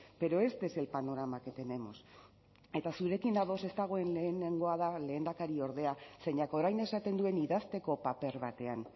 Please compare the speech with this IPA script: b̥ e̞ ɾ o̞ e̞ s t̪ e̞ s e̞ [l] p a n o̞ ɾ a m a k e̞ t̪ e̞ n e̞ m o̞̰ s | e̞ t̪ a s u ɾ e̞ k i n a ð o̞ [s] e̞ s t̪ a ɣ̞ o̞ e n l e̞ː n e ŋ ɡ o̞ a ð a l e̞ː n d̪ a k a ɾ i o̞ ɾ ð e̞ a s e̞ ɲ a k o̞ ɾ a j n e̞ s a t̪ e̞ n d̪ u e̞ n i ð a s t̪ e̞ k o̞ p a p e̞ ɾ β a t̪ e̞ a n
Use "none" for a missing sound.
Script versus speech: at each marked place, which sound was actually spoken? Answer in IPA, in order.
l, s

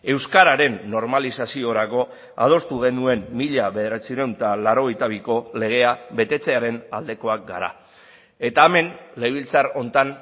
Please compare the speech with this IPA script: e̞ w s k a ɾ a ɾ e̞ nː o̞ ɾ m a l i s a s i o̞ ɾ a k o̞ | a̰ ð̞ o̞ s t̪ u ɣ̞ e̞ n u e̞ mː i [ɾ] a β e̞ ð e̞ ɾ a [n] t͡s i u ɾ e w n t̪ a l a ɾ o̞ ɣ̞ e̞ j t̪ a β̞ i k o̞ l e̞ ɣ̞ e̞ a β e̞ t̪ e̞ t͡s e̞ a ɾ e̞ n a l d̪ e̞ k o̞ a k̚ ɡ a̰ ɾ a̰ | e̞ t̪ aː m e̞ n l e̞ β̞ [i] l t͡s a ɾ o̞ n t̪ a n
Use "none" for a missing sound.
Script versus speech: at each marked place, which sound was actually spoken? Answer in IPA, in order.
ʎ, none, i

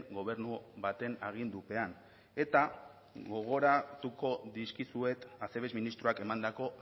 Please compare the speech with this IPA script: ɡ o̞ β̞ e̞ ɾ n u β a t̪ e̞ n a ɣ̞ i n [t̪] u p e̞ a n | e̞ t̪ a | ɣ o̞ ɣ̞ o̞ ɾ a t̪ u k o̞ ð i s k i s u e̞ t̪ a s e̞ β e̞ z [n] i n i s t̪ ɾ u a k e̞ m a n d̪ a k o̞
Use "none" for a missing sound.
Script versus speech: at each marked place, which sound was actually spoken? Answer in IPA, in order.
d̪, m

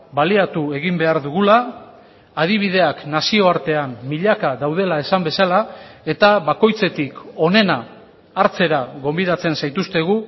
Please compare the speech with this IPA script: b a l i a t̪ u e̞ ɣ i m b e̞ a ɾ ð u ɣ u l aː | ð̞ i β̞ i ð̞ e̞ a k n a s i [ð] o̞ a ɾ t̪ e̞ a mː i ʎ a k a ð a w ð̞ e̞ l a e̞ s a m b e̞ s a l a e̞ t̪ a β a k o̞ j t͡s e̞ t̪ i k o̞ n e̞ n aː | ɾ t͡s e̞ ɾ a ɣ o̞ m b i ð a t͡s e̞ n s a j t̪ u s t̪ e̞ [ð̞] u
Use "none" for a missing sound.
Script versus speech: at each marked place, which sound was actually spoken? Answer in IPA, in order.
none, ɣ̞

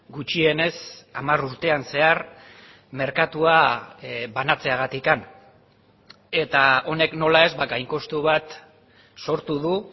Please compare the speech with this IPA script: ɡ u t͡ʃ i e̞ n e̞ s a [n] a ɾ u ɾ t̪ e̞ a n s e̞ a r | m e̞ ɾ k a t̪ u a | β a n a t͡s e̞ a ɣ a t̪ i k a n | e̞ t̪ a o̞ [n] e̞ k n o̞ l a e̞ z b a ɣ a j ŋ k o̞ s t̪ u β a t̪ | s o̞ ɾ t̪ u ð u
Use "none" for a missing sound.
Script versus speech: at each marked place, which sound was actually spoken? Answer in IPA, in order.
m, n

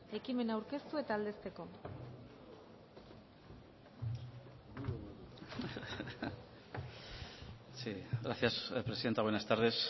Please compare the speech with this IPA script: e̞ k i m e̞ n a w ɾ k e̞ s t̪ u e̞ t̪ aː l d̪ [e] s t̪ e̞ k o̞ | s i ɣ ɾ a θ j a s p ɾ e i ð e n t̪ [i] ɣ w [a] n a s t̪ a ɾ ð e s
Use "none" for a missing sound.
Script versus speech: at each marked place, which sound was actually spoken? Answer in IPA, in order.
e, a, e

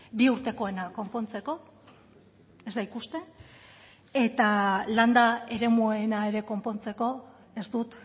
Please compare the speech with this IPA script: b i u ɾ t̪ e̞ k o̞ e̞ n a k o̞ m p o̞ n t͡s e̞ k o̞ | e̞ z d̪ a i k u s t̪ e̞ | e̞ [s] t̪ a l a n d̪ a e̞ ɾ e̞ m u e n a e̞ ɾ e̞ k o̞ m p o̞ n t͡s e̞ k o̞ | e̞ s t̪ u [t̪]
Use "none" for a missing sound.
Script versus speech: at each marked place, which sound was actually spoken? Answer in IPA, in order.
none, t̪

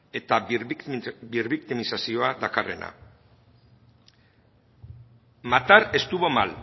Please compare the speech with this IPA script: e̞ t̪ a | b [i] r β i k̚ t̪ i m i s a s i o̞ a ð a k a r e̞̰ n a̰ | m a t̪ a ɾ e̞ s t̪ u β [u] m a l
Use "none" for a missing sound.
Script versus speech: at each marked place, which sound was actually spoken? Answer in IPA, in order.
i, o

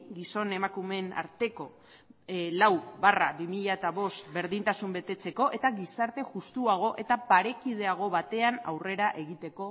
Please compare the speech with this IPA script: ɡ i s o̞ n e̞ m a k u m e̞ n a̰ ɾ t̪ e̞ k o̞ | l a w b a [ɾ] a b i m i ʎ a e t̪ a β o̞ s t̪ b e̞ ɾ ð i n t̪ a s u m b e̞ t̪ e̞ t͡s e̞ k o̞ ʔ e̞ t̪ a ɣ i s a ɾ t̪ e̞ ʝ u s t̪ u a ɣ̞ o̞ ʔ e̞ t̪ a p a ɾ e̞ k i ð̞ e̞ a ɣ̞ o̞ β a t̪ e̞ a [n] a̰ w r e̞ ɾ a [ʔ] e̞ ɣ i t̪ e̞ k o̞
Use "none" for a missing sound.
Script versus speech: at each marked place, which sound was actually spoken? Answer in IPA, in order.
r, n, ʔ

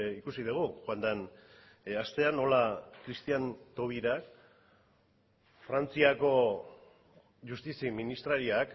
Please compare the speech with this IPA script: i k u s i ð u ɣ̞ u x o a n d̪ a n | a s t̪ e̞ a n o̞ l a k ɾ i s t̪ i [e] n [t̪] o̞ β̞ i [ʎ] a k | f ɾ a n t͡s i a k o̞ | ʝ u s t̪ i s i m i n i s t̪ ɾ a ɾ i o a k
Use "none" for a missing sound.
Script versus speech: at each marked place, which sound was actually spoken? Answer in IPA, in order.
a, t̪, ɾ

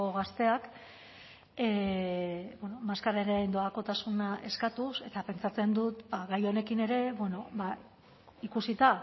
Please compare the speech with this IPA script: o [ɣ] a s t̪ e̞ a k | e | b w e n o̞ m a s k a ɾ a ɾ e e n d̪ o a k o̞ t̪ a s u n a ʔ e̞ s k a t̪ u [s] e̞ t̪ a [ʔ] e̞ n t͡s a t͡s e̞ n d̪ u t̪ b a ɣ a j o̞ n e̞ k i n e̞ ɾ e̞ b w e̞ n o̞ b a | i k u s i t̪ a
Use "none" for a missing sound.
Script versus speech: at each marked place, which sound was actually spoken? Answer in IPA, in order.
ɣ, s, p

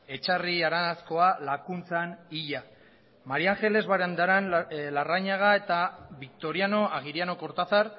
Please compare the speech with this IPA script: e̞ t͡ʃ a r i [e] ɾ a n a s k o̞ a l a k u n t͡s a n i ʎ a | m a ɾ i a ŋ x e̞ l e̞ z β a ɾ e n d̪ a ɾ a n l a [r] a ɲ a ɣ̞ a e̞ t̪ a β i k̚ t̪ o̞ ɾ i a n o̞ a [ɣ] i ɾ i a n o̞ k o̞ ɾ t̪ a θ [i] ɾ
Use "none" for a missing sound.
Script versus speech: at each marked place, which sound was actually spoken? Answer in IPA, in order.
a, r, ɣ, a

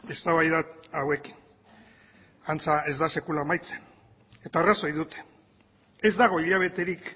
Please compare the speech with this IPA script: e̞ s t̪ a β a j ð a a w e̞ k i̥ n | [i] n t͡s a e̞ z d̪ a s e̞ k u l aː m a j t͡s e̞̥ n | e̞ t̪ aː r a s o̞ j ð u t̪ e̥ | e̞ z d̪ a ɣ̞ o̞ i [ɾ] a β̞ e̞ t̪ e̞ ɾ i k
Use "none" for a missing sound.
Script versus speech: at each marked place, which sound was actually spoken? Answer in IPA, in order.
a, ʎ

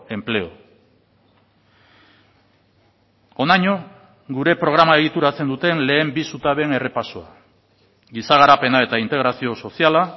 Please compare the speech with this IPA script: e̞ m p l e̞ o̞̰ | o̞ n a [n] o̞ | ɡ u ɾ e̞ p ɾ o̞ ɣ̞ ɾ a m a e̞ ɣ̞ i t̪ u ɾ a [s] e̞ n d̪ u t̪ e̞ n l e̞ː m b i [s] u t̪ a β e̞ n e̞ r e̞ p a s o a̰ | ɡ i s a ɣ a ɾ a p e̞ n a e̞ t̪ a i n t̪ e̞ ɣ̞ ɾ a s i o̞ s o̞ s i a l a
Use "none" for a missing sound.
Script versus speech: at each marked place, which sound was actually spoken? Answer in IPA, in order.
ɲ, t͡s, s

